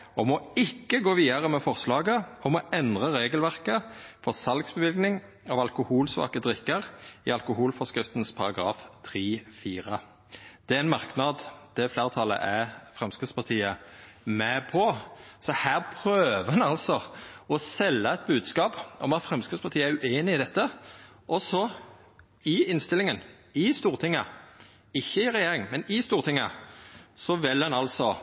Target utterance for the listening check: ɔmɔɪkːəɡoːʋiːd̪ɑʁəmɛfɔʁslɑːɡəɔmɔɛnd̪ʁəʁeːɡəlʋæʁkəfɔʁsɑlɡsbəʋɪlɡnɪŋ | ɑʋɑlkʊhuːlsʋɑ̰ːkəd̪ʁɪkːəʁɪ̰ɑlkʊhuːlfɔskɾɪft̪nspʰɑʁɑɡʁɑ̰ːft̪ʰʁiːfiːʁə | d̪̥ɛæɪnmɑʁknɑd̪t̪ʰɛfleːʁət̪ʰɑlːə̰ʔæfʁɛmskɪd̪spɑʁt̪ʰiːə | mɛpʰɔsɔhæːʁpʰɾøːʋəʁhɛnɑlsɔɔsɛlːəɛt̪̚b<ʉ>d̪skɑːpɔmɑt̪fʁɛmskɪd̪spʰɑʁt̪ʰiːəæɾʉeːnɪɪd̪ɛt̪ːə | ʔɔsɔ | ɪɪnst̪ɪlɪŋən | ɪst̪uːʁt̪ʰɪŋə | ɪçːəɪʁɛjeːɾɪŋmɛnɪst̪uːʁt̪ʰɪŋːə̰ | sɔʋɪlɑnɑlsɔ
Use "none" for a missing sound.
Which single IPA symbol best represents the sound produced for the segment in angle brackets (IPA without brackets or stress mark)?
ʉː